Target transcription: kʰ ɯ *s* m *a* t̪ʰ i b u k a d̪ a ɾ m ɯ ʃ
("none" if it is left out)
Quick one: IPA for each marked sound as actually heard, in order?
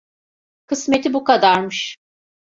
s, e

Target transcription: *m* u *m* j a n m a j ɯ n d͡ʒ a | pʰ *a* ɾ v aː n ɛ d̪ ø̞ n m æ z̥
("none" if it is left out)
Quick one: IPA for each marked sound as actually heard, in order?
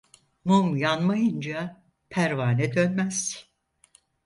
m, m, æ

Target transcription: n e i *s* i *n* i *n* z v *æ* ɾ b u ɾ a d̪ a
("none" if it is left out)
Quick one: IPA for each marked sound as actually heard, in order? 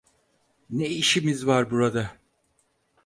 ʃ, m, none, a

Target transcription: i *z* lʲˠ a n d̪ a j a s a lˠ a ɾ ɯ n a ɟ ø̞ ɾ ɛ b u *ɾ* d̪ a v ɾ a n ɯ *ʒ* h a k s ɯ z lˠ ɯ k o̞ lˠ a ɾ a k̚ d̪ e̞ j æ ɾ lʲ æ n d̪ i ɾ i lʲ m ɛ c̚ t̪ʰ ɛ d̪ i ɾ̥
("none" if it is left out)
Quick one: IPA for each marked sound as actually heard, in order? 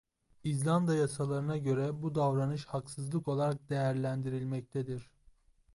z, none, ʃ

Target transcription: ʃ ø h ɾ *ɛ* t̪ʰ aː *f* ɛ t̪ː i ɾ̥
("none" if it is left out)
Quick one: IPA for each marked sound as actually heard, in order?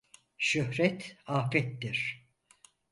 ɛ, f

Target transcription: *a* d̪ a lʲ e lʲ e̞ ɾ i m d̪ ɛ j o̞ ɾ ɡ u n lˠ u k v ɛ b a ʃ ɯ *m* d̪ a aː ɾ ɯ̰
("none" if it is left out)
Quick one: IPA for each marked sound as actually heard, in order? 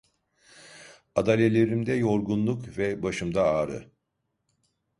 a, m

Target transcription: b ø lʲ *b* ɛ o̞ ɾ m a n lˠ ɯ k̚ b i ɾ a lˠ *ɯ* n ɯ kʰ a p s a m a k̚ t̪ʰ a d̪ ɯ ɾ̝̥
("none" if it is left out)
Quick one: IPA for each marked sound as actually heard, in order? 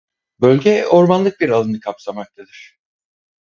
ɟ, ɯ

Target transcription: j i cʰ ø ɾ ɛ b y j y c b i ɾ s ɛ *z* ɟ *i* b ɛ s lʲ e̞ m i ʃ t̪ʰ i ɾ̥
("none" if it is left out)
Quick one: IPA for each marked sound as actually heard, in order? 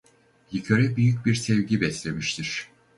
v, i

